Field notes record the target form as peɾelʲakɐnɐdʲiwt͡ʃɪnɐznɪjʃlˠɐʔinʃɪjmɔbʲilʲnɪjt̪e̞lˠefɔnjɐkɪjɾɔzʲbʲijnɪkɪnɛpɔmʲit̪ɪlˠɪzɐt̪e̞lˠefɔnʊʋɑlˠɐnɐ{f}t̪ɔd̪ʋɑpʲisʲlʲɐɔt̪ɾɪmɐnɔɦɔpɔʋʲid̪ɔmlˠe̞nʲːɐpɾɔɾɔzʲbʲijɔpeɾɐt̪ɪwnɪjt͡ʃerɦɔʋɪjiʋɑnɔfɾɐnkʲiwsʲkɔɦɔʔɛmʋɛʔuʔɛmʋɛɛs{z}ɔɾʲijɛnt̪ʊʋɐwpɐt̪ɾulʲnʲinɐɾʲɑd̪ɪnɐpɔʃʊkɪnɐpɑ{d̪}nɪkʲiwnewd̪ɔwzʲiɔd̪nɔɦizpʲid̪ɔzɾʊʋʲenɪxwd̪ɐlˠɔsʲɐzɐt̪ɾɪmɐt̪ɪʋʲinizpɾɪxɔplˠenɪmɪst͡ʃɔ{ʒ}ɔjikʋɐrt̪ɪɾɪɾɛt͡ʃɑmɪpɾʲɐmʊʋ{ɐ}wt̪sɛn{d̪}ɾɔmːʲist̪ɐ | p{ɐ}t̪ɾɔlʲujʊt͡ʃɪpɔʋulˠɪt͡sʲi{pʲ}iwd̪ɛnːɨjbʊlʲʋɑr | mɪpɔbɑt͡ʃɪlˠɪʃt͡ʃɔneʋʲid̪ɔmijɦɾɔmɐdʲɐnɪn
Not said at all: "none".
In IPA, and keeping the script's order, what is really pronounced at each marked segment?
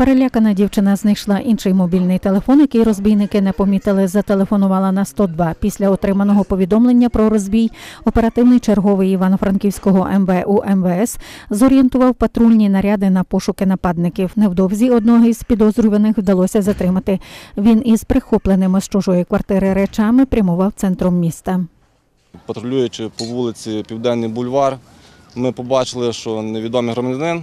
s, z, d̪, ʒ, ɑ, t̪, ɐ, pʲ

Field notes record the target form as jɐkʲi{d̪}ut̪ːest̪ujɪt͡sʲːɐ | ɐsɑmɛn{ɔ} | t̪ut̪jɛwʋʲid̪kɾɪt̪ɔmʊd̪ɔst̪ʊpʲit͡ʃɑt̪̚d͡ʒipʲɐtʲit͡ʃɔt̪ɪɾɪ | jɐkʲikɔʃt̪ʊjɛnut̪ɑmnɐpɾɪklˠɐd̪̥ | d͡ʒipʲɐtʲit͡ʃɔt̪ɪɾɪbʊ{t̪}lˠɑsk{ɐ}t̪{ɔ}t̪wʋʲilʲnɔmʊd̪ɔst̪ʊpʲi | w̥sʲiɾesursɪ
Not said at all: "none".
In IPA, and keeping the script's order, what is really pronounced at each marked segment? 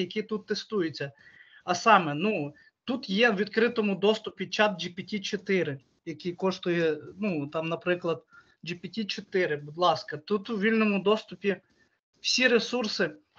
t̪, u, d̪, ɐ, u

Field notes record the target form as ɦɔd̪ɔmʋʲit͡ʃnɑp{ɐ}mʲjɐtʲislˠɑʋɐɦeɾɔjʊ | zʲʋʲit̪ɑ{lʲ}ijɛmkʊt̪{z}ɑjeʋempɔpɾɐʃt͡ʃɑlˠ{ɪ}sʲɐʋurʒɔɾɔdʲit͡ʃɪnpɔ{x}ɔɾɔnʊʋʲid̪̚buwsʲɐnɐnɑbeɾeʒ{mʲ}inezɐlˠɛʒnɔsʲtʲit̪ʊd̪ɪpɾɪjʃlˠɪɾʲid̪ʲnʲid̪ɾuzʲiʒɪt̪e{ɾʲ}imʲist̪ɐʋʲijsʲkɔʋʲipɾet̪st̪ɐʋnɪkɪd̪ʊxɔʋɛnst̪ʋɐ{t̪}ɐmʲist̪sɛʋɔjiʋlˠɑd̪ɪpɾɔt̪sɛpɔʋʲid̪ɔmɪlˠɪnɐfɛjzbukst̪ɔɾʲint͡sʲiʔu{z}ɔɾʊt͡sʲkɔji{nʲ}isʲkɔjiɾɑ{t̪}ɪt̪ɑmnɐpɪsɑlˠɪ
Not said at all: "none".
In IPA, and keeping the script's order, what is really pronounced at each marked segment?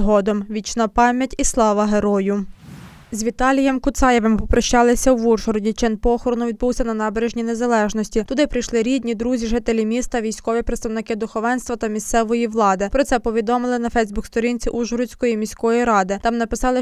ɑ, lʲ, s, ɪ, x, nʲ, lʲ, t̪, ʒ, mʲ, d̪

